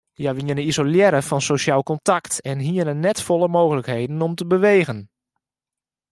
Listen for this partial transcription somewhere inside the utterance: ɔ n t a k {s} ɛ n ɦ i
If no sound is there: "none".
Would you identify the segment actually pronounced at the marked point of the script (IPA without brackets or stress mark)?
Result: t